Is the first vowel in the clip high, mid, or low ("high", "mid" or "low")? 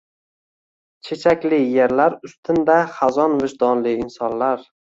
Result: mid